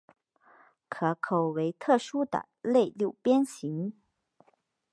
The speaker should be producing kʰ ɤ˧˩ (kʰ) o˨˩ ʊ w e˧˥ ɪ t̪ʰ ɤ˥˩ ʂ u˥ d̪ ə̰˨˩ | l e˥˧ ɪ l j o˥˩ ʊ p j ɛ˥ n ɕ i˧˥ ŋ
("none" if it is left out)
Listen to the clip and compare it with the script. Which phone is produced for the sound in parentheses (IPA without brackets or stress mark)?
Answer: kʰ